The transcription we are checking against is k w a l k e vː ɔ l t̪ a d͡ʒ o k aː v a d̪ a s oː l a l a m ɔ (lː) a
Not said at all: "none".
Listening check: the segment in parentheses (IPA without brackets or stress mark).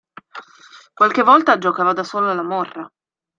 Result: rː